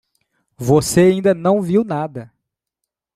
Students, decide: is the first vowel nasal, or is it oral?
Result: oral